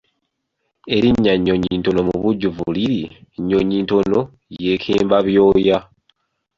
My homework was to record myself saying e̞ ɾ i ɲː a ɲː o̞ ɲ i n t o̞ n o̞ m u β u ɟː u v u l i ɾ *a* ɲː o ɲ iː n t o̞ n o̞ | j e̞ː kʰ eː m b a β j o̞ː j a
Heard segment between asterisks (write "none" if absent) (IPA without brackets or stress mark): i